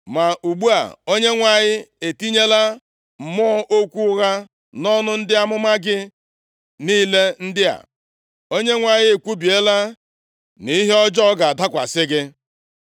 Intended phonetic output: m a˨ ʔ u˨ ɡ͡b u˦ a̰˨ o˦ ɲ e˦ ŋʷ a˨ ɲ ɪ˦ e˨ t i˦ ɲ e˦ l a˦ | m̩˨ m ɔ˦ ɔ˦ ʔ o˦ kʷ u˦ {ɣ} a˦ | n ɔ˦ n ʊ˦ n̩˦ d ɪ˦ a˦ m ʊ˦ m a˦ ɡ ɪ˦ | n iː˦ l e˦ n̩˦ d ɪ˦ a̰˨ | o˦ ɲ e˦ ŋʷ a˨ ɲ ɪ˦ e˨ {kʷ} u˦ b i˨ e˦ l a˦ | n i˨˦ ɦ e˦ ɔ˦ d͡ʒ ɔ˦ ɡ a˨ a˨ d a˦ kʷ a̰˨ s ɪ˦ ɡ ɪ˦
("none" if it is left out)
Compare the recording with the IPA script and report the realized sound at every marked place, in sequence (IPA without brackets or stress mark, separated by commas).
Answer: ɣ, kʷ